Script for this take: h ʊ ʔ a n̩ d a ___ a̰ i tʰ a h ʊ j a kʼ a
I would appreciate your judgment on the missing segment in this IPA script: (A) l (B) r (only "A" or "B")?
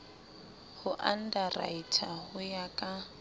B